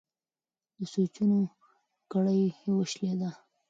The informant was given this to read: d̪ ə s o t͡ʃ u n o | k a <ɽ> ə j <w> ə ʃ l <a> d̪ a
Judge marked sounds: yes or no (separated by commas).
yes, yes, no